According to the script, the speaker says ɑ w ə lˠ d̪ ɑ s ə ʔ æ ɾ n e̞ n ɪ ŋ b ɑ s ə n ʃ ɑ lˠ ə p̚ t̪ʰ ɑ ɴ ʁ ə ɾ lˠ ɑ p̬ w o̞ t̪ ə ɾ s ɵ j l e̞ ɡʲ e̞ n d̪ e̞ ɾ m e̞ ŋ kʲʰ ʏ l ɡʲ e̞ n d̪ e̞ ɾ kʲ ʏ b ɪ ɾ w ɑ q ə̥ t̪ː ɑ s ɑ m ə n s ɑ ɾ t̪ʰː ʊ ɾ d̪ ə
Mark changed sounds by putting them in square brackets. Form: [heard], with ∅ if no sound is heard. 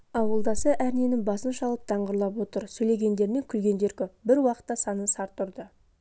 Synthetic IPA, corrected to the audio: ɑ w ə lˠ d̪ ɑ s ə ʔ æ ɾ n e̞ n ɪ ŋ b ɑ s ə n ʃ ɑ lˠ ə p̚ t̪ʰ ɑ ɴ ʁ ə ɾ lˠ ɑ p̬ w o̞ t̪ ə ɾ s ɵ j l e̞ ɡʲ e̞ n d̪ e̞ ɾ m e̞ ŋ kʲʰ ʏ l ɡʲ e̞ n d̪ e̞ ɾ kʲ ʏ b ɪ ɾ w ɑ q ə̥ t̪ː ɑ s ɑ [n] ə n s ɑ ɾ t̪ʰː ʊ ɾ d̪ ə